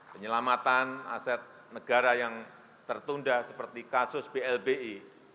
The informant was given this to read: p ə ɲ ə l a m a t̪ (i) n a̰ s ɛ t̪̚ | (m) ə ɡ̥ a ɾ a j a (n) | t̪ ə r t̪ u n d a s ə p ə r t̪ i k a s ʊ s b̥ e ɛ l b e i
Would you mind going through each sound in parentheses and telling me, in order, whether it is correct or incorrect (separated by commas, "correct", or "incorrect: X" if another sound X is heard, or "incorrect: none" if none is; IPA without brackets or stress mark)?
incorrect: a, incorrect: n, incorrect: ŋ